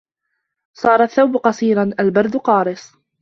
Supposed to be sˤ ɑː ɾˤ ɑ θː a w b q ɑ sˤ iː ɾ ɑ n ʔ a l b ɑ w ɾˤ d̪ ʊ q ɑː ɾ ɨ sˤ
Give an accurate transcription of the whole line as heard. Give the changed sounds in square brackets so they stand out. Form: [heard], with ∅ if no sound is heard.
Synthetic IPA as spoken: sˤ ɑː ɾˤ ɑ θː a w b q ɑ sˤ iː ɾ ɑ n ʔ a l b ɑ [∅] ɾˤ d̪ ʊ q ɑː ɾ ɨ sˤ